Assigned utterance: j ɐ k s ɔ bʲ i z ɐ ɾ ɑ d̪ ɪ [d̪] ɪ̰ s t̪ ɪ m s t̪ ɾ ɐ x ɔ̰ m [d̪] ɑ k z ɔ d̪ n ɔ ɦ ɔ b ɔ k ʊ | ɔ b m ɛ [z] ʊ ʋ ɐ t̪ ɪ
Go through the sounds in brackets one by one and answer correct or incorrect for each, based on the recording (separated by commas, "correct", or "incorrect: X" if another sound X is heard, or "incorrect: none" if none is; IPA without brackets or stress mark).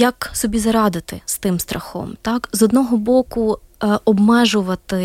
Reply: incorrect: t̪, incorrect: t̪, incorrect: ʒ